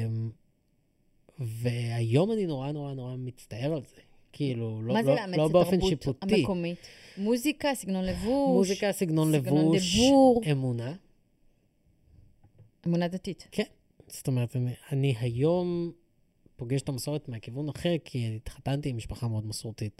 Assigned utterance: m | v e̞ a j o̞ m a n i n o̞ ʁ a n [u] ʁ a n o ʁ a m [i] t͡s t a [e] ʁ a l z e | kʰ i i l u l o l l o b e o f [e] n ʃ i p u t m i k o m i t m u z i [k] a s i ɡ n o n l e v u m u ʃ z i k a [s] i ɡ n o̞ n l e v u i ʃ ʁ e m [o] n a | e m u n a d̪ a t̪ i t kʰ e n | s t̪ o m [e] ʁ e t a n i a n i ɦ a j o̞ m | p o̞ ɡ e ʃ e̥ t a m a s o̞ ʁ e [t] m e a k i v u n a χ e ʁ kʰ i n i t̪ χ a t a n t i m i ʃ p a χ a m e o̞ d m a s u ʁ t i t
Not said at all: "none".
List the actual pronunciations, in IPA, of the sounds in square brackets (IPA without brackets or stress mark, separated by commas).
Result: o, i, e, e, k, s, u, e, t